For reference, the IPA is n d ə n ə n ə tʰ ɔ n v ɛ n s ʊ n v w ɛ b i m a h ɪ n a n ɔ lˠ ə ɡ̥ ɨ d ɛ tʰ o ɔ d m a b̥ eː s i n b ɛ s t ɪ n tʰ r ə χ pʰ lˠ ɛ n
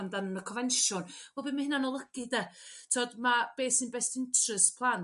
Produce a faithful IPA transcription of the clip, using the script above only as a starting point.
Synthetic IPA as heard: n d a n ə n ə kʰ ɔ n v ɛ n ʃ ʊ n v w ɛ b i m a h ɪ n a n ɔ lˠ ə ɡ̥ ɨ d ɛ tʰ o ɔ d m a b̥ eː s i n b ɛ s t ɪ n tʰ r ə s pʰ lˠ a n